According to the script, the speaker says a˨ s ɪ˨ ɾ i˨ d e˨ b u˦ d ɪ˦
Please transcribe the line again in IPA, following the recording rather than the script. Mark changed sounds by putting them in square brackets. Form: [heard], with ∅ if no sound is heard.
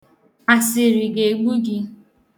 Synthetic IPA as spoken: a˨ s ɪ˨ ɾ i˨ [ɡ] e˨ [ɡ͡b] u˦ [ɡ] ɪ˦